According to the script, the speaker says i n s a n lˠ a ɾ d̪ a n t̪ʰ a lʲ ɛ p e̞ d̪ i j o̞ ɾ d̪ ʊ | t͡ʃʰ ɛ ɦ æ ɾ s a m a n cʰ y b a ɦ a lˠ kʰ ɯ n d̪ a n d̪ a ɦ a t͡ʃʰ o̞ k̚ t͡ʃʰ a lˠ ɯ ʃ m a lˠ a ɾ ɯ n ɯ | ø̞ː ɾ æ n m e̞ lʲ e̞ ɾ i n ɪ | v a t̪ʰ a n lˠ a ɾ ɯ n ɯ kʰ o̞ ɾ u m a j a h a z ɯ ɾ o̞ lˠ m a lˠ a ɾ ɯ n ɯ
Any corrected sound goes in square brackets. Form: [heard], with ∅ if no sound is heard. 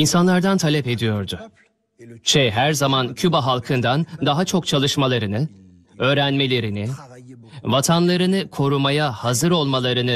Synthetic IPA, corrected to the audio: i n s a n lˠ a ɾ d̪ a n t̪ʰ a lʲ ɛ p e̞ d̪ i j o̞ ɾ d̪ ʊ | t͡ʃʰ ɛ ɦ æ ɾ [z] a m a n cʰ y b a ɦ a lˠ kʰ ɯ n d̪ a n d̪ a ɦ a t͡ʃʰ o̞ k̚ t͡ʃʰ a lˠ ɯ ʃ m a lˠ a ɾ ɯ n ɯ | ø̞ː ɾ æ n m e̞ lʲ e̞ ɾ i n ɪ | v a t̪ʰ a n lˠ a ɾ ɯ n ɯ kʰ o̞ ɾ u m a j a h a z ɯ ɾ o̞ lˠ m a lˠ a ɾ ɯ n ɯ